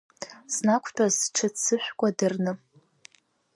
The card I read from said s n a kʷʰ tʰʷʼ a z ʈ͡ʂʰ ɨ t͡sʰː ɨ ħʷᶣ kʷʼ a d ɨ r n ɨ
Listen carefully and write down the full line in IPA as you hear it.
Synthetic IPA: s n a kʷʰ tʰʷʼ a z ʈ͡ʂʰ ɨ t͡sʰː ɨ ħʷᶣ kʷʼ a d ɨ r n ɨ